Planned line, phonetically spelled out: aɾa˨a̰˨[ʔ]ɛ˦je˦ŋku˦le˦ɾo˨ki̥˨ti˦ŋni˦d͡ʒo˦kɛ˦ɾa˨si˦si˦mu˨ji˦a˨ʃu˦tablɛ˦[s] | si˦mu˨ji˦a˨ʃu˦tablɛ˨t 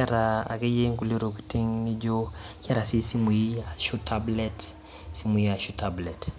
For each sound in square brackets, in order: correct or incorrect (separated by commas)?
incorrect, incorrect